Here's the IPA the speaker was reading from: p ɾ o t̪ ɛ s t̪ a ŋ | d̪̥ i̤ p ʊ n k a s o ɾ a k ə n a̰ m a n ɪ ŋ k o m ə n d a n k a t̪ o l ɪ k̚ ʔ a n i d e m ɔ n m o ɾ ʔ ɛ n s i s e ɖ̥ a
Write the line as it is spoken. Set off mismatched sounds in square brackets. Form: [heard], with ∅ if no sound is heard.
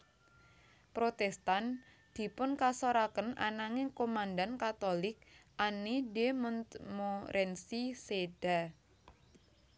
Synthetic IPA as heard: p ɾ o t̪ ɛ s t̪ a [n] | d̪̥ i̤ p ʊ n k a s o ɾ a k ə n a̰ [n] a [ŋ] ɪ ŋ k o m [a] n d a n k a t̪ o l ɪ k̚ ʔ a n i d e m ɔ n m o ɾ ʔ ɛ n s i s e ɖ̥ a